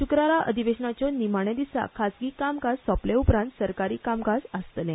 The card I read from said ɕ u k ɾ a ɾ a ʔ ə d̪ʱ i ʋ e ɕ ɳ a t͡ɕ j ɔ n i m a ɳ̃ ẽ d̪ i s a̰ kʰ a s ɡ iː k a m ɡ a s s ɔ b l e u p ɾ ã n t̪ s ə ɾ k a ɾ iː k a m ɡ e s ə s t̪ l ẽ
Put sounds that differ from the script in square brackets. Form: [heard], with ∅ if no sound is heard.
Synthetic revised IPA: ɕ u k ɾ a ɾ a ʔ ə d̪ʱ i ʋ e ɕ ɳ a t͡ɕ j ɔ n i m a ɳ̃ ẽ d̪ i s a̰ kʰ a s ɡ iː k a m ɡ a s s ɔ [p] l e u p ɾ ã n t̪ s ə ɾ k a ɾ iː k a m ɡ [a] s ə s t̪ l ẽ